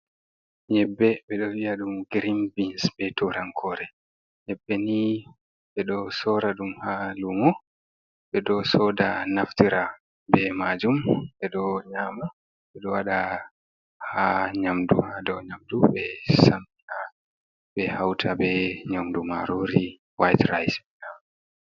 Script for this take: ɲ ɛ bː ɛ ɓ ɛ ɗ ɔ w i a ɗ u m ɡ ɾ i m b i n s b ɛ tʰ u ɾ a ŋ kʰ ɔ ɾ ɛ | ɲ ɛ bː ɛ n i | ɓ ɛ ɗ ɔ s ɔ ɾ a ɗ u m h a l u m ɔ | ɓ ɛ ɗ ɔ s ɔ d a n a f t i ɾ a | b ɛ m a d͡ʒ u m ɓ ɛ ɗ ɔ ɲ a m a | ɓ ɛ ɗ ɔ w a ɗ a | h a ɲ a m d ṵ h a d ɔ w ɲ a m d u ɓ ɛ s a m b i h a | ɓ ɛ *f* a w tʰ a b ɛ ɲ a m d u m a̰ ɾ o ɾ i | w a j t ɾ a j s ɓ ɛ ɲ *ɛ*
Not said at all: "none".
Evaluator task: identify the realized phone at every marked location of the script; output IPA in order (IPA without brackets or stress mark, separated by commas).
h, a